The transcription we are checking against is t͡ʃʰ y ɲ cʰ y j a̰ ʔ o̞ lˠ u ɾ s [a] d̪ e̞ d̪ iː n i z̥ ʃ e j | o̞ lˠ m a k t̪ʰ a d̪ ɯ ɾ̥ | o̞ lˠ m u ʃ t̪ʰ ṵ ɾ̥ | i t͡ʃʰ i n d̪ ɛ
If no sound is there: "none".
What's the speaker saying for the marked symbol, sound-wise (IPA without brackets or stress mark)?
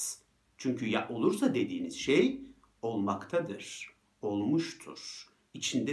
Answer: a